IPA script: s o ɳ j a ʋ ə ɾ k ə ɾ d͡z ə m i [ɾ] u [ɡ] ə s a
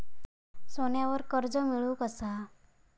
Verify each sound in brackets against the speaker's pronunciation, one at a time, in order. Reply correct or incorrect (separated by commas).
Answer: incorrect, incorrect